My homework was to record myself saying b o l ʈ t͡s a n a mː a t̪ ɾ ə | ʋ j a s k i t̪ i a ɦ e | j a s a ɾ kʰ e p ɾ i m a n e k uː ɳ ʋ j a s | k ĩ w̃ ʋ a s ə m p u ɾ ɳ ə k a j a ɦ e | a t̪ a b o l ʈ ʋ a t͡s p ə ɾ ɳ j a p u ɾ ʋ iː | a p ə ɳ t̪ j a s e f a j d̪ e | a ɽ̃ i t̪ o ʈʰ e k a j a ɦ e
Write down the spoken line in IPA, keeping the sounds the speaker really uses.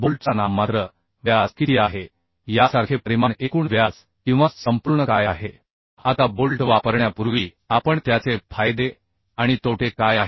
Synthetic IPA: b o l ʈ t͡s a n a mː a t̪ ɾ ə | ʋ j a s k i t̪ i a ɦ e | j a s a ɾ kʰ e p ɾ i m a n e k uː ɳ ʋ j a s | k ĩ w̃ ʋ a s ə m p u ɾ ɳ ə k a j a ɦ e | a t̪ a b o l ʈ ʋ a p ə ɾ ɳ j a p u ɾ ʋ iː | a p ə ɳ t̪ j a t͡s e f a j d̪ e | a ɽ̃ i t̪ o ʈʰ e k a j a ɦ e